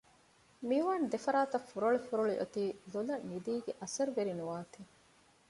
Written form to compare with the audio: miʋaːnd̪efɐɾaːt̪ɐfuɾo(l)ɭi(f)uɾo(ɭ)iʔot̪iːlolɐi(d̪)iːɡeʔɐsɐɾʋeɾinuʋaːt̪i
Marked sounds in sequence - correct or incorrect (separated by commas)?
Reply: incorrect, correct, correct, correct